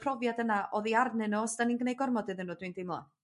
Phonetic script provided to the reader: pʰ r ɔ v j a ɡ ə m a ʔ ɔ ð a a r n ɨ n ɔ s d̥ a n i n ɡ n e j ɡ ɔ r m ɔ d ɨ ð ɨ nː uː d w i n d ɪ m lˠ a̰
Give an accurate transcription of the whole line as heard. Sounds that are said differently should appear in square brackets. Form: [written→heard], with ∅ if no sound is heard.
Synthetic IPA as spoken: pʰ r ɔ v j a [ɡ→d] ə [m→n] a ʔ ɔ ð [a→i] a r n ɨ n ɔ s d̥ a n i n ɡ n e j ɡ ɔ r m ɔ d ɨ ð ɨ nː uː d w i n d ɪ m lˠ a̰